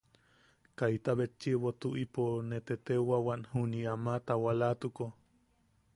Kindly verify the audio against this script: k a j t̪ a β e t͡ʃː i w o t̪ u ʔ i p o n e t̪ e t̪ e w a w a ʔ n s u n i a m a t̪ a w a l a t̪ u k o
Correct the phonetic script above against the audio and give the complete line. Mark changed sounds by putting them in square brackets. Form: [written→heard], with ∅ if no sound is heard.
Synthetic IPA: k a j t̪ a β e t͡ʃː i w o t̪ u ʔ i p o n e t̪ e t̪ e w a w a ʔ n [s→h] u n i a m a t̪ a w a l a t̪ u k o